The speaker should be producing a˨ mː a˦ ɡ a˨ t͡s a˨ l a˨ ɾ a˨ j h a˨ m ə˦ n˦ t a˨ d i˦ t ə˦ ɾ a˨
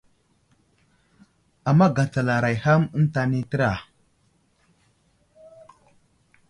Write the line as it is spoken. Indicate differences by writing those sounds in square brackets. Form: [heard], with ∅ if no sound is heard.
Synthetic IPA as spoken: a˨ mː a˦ ɡ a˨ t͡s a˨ l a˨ ɾ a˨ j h [a˦] m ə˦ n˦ t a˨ [n] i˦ t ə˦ ɾ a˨